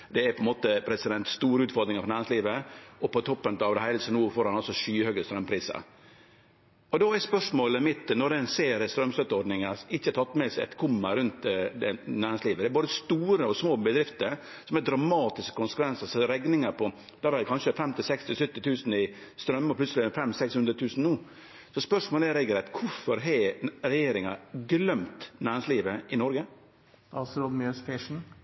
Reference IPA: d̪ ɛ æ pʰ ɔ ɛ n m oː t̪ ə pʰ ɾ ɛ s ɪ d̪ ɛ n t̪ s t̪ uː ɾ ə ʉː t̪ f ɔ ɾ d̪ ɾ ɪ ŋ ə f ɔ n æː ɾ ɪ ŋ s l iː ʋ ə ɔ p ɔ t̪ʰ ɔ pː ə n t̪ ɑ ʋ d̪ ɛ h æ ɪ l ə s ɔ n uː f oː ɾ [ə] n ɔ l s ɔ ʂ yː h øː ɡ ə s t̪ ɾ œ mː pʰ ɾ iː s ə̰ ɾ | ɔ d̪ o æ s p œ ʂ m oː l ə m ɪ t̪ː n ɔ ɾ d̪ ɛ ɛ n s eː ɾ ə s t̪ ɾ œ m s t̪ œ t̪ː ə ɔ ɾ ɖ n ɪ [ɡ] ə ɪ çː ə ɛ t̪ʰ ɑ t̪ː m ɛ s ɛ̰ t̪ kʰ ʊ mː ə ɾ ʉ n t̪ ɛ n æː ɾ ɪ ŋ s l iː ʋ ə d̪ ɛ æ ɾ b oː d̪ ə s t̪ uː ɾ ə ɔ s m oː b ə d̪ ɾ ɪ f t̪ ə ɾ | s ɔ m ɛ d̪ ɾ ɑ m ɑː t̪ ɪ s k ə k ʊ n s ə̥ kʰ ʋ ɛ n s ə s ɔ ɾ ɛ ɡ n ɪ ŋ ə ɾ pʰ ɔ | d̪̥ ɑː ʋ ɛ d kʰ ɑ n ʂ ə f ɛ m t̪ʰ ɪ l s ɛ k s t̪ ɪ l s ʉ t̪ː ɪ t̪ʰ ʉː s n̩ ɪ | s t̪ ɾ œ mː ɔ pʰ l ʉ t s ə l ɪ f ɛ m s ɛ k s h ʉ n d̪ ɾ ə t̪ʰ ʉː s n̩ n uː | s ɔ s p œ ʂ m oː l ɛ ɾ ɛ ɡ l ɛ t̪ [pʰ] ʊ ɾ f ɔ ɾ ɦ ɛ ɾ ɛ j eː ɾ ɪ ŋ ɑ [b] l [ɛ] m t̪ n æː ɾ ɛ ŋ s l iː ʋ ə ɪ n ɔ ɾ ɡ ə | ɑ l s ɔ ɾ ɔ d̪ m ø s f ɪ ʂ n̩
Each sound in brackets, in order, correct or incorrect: incorrect: ɑ, incorrect: ŋ, incorrect: kʰ, incorrect: ɡ, incorrect: œ

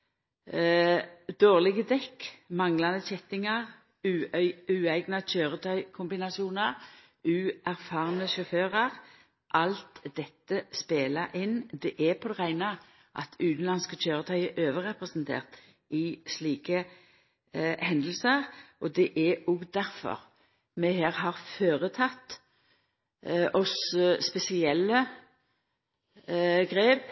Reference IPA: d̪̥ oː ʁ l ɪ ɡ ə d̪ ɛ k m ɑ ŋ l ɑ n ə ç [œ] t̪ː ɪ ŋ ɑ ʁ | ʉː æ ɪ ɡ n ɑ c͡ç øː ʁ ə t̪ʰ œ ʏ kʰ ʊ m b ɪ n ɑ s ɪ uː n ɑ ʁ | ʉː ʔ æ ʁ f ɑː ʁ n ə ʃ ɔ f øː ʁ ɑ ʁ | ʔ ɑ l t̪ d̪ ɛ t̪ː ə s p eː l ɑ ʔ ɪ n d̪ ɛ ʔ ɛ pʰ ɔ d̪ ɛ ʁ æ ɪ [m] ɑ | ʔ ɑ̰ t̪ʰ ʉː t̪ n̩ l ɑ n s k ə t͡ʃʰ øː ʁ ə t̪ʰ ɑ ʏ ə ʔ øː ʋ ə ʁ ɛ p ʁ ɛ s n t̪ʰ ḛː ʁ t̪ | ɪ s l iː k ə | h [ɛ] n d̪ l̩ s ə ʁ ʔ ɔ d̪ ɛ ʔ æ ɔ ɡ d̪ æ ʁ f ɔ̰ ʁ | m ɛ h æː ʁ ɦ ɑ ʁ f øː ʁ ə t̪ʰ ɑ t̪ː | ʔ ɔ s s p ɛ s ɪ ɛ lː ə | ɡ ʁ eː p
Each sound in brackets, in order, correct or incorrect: incorrect: ɛ, incorrect: n, correct

